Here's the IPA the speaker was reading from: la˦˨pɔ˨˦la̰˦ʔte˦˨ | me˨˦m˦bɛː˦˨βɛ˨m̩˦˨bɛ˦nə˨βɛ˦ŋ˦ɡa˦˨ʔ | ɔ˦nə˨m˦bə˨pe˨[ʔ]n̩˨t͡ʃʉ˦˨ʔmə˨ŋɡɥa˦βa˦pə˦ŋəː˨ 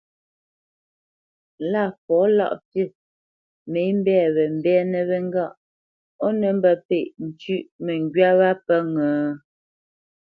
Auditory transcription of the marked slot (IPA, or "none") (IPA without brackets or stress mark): ʔ